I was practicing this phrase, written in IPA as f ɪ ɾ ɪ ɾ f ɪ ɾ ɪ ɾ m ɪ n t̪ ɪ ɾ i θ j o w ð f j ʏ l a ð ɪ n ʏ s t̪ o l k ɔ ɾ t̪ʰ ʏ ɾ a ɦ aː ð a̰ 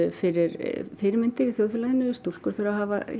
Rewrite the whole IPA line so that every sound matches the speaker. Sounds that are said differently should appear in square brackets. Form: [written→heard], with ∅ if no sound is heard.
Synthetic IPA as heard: f ɪ ɾ ɪ ɾ f ɪ ɾ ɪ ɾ m ɪ n t̪ ɪ ɾ i θ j o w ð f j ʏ l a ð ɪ n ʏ s t̪ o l k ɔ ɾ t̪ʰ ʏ ɾ a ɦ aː [ð→v] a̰